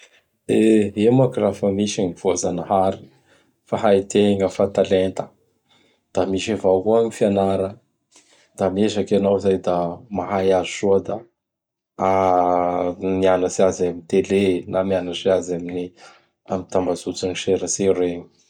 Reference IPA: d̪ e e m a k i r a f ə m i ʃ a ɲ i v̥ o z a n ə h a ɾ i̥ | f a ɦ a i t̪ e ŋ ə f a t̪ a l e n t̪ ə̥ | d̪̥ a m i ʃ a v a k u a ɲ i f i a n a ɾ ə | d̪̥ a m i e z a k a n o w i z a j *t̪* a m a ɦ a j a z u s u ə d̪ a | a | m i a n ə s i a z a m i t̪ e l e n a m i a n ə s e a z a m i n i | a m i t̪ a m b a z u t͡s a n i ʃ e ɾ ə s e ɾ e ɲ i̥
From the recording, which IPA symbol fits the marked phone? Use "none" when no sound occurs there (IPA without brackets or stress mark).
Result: d̪